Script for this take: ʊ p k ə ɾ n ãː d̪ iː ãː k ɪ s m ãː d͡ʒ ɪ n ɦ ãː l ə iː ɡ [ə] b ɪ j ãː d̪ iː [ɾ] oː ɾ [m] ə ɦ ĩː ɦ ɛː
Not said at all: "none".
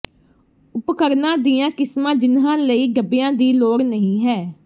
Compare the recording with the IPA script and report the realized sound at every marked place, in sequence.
ə, l, n

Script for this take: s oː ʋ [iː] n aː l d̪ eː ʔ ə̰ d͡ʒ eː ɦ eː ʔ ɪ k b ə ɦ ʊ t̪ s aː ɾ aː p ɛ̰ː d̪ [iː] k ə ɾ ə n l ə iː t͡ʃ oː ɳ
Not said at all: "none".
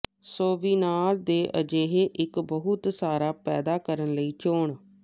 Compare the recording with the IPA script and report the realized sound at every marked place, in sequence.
iː, aː

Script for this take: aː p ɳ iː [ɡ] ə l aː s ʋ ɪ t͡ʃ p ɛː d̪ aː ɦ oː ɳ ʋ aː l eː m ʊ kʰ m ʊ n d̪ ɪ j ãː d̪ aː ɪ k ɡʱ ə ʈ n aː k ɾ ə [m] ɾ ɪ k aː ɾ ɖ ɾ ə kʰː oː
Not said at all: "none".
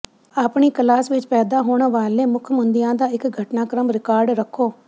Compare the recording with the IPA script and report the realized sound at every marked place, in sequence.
k, m

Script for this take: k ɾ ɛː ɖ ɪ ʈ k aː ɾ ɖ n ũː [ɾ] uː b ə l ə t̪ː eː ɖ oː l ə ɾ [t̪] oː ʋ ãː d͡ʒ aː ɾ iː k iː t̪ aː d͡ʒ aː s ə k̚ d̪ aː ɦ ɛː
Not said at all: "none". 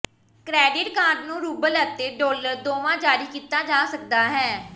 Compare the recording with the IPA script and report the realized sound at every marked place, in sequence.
ɾ, d̪

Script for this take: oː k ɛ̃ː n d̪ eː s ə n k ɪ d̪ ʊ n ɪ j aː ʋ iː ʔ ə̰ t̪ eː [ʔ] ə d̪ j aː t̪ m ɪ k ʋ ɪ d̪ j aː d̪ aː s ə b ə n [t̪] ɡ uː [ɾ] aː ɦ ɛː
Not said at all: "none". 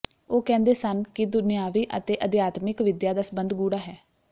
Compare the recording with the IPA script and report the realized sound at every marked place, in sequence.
ʔ, d̪, ɽ

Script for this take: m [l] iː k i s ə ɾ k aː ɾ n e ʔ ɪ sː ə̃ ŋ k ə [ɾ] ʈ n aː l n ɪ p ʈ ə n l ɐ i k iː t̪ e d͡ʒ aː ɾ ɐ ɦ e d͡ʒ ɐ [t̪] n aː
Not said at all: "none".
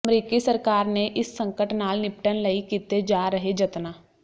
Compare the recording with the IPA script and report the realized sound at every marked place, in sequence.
ɾ, none, t̪

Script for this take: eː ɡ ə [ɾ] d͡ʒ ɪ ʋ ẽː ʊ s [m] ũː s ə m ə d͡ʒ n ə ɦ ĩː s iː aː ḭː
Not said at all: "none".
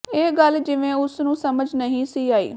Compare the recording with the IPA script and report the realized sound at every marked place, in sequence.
l, n

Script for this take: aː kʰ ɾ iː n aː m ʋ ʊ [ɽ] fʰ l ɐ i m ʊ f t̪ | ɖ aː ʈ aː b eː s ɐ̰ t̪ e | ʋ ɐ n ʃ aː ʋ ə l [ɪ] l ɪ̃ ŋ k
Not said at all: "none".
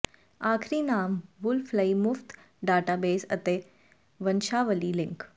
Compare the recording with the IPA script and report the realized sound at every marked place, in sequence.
l, i

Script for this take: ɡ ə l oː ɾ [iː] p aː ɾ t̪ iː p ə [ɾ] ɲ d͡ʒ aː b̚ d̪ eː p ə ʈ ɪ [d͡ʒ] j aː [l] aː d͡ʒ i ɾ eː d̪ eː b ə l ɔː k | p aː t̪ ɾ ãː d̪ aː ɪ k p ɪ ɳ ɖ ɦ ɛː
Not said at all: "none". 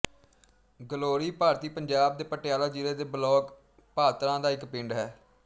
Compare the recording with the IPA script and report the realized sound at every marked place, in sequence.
iː, none, none, l

